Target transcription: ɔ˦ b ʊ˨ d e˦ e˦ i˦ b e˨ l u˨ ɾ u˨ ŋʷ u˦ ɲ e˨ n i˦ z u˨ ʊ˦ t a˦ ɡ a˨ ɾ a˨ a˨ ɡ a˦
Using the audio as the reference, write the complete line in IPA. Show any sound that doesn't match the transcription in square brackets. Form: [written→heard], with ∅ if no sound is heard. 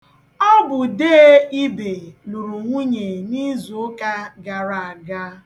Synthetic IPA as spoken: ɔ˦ b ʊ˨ d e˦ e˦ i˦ b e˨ l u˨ ɾ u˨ ŋʷ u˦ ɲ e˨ n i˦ z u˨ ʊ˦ [t→k] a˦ ɡ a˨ ɾ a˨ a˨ ɡ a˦